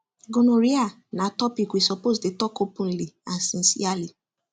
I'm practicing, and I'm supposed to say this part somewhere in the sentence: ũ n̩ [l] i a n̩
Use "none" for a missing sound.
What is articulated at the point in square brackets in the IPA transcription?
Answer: l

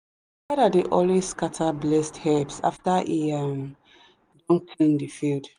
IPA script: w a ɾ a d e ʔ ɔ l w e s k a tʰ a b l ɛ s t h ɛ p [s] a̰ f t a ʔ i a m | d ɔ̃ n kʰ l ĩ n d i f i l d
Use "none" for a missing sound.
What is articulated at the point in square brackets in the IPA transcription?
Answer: s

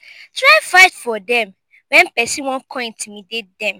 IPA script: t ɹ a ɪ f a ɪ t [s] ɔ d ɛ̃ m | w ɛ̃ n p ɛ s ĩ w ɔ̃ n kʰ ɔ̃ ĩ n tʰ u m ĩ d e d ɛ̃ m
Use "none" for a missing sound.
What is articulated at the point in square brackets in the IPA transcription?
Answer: f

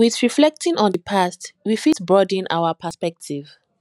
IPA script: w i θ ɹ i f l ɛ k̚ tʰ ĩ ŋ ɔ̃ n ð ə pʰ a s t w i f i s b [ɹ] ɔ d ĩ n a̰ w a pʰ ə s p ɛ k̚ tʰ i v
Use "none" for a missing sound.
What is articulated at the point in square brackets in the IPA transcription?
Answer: ɹ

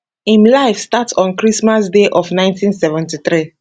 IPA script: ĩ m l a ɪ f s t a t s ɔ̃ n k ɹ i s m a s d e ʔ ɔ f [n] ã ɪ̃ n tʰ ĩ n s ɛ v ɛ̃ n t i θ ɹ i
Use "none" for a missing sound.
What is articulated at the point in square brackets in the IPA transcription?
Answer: n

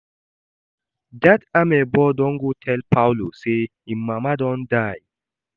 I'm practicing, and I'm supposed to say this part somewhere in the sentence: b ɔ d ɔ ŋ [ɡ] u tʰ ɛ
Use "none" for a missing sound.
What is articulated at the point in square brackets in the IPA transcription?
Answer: ɡ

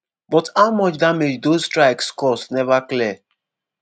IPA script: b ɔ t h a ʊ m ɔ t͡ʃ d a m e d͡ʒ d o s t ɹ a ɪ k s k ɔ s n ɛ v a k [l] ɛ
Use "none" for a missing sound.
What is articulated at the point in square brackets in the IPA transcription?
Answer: l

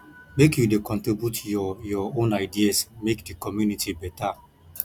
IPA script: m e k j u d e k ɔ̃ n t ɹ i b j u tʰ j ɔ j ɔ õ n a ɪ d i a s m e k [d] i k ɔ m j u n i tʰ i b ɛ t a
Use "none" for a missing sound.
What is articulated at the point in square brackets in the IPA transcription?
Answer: d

